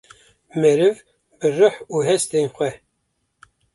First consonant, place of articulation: labial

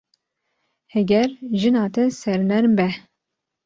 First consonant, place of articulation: glottal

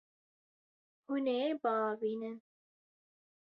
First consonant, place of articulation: glottal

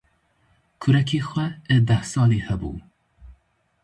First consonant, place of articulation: velar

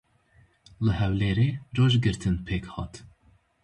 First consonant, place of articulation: alveolar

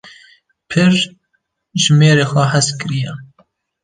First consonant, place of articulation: labial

